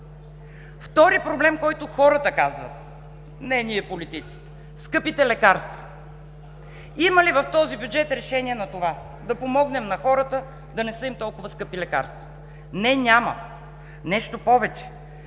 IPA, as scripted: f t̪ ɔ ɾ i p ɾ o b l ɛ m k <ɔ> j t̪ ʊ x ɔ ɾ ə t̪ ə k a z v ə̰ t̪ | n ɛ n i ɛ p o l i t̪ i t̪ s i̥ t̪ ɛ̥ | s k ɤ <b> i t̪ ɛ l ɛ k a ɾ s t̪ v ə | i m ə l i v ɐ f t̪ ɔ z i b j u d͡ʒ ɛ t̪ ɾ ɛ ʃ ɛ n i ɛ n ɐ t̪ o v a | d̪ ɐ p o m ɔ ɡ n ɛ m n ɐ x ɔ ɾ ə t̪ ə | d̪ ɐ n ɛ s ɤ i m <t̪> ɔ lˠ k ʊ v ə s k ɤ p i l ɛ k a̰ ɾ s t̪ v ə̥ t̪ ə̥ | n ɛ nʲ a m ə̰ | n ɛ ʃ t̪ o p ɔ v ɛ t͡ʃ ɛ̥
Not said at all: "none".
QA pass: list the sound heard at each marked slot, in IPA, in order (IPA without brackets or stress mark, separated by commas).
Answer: ɔ, p, t̪